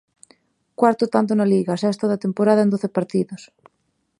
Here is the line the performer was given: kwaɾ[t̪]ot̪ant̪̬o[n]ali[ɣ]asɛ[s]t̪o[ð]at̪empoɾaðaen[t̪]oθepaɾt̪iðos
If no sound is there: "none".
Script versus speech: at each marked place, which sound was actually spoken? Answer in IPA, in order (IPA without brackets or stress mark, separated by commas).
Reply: t̪, n, ɣ, s, ð, d̪